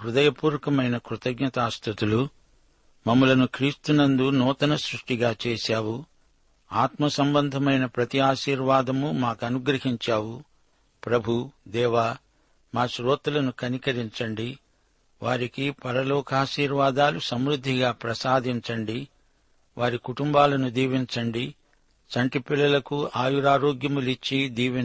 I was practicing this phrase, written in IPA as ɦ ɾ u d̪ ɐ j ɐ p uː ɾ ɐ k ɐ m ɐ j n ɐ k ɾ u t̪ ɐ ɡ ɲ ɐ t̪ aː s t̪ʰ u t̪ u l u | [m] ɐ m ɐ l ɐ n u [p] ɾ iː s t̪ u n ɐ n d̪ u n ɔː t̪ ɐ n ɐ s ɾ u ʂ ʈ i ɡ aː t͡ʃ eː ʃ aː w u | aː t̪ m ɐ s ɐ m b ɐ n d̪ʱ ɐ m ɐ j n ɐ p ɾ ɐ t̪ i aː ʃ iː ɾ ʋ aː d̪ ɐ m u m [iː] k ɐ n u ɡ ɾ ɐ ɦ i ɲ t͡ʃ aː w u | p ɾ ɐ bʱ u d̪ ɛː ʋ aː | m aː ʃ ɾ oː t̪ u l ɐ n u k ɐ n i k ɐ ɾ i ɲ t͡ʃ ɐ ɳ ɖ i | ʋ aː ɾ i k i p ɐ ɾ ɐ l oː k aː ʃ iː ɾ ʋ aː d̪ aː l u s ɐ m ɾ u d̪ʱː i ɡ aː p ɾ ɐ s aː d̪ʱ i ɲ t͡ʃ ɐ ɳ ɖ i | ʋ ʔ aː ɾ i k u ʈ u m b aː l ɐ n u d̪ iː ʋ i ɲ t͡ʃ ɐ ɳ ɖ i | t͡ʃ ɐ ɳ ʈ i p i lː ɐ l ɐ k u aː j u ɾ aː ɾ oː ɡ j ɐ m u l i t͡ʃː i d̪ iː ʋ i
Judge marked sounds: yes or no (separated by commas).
yes, no, no